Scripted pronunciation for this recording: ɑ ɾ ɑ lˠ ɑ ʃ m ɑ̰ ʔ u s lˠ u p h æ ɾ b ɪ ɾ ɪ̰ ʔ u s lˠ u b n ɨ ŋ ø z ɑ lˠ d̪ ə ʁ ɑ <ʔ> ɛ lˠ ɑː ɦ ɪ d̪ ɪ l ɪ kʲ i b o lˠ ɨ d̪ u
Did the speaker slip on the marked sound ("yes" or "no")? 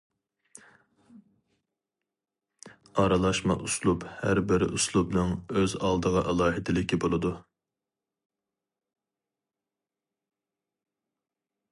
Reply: no